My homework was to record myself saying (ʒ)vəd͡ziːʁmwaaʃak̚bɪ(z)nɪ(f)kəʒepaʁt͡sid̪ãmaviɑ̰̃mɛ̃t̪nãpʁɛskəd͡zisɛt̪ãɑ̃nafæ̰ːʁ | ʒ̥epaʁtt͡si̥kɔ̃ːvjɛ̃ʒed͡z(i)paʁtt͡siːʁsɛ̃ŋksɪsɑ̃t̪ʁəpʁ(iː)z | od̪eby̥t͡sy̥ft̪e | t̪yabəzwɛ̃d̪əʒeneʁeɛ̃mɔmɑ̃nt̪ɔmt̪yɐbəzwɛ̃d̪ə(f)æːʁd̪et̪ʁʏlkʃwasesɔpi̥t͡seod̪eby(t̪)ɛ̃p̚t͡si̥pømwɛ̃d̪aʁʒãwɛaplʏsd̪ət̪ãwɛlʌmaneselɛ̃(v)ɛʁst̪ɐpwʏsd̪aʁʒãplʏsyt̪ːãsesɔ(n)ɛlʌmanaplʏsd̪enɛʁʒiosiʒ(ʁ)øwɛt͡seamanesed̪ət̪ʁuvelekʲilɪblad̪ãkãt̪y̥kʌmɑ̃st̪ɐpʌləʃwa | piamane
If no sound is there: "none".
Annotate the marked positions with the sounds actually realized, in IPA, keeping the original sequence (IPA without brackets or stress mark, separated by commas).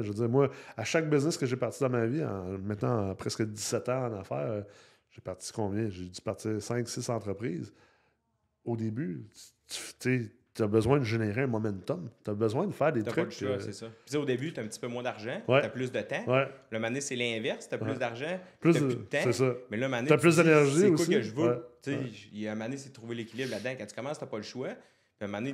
ʒ, z, s, y, iː, f, t̪, v, m, v